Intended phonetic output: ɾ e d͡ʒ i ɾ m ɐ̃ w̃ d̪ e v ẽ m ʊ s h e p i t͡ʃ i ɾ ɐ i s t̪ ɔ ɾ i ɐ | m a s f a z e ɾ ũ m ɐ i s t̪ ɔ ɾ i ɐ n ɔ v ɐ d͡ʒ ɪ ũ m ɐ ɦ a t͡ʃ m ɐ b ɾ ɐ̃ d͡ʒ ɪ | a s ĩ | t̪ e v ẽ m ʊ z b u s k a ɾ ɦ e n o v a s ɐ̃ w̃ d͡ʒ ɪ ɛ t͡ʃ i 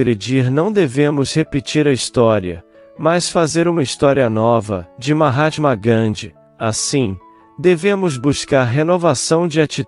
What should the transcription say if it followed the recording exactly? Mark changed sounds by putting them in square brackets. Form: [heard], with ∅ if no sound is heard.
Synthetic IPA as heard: ɾ e d͡ʒ i ɾ [n] ɐ̃ w̃ d̪ e v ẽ m ʊ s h e p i t͡ʃ i ɾ ɐ i s t̪ ɔ ɾ i ɐ | m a s f a z e ɾ ũ m ɐ i s t̪ ɔ ɾ i ɐ n ɔ v ɐ d͡ʒ ɪ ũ m ɐ ɦ a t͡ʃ m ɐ [ɡ] ɾ ɐ̃ d͡ʒ ɪ | a s ĩ | [d̪] e v ẽ m ʊ z b u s k a ɾ ɦ e n o v a s ɐ̃ w̃ d͡ʒ ɪ [a] t͡ʃ i